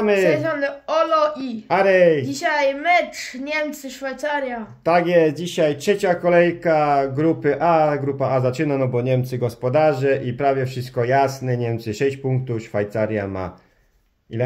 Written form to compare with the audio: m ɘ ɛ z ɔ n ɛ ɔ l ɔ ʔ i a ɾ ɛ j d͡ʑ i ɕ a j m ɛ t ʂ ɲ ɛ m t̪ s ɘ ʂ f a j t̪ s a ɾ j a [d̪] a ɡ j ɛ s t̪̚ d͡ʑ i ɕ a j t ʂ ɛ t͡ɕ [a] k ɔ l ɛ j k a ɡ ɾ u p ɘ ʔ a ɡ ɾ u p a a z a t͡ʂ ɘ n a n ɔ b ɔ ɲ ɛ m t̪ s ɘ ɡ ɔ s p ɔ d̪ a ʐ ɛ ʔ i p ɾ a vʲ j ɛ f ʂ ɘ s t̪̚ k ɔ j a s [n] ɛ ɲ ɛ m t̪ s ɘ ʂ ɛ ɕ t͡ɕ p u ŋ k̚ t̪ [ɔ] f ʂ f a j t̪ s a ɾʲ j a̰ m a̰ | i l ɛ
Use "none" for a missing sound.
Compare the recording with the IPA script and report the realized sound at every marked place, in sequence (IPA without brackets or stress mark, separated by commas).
t̪, a, n, u